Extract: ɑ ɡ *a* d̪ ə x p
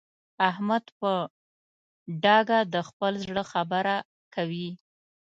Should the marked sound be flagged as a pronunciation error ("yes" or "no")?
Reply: no